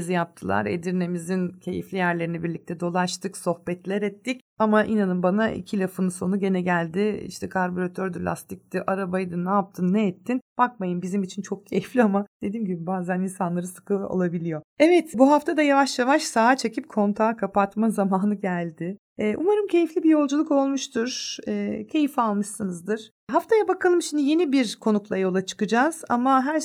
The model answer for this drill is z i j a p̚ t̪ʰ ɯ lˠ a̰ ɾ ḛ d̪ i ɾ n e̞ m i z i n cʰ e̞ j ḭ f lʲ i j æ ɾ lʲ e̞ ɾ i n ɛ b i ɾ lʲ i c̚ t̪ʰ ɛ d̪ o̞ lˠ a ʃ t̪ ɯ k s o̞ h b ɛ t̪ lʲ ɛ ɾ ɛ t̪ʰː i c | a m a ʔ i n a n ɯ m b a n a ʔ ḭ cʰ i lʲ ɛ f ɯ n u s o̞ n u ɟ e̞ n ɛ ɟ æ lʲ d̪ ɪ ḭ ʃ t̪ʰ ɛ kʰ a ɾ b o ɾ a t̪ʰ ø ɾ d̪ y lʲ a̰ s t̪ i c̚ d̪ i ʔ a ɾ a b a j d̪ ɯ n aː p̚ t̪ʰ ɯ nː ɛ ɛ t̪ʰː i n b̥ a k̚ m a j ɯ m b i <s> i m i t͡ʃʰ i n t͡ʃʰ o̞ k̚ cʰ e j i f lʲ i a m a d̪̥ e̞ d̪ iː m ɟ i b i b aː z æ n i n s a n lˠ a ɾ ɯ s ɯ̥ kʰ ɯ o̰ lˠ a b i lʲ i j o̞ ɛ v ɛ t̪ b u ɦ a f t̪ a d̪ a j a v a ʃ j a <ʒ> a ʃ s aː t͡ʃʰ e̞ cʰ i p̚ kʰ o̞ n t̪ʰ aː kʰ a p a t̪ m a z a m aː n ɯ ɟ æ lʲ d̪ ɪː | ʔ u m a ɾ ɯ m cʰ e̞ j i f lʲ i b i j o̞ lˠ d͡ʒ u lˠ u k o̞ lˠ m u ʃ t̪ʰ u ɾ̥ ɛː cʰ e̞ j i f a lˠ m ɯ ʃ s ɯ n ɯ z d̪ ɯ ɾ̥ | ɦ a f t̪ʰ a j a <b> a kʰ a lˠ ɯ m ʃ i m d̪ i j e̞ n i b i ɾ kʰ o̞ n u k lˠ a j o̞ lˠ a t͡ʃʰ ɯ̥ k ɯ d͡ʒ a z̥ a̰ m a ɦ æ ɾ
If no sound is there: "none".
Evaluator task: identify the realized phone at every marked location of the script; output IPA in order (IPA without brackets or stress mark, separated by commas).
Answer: z, v, b